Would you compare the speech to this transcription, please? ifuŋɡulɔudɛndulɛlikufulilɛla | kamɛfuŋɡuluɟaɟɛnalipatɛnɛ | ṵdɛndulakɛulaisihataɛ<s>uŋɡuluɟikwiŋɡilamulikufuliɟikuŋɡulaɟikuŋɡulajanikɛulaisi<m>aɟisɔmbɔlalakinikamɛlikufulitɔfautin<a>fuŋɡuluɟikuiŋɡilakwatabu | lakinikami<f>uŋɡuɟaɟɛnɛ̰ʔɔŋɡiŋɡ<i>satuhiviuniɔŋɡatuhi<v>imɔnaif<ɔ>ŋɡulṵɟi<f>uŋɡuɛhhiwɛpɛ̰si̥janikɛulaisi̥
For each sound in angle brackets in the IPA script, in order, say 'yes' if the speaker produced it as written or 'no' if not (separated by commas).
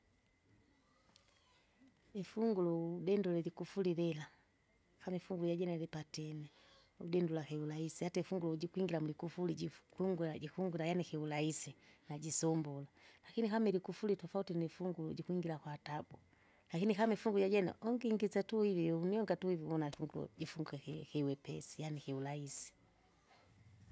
no, no, no, yes, yes, yes, no, yes